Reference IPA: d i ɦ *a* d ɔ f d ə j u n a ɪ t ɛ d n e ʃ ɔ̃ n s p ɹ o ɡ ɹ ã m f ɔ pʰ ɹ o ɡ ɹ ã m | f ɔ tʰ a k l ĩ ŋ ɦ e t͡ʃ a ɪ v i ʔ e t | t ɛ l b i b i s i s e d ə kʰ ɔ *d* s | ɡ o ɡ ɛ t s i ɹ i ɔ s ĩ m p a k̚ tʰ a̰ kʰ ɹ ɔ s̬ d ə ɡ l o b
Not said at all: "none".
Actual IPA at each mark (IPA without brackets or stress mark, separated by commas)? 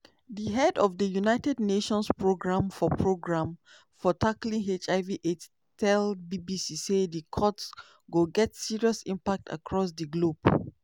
ɛ, t